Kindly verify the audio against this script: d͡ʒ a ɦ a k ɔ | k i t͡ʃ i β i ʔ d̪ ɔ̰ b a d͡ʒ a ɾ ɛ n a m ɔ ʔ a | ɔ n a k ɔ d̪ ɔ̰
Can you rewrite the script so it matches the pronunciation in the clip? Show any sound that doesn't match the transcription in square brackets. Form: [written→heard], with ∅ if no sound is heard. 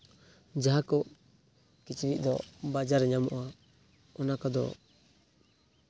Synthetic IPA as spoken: d͡ʒ a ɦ a k ɔ | k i t͡ʃ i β i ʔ d̪ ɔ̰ b a d͡ʒ a ɾ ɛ [n→ɲ] a m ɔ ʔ a | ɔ n a k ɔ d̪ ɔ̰